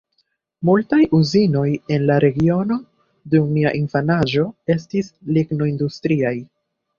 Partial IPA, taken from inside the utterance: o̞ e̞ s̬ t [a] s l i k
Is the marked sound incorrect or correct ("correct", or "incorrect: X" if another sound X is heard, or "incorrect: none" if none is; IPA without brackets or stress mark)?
incorrect: i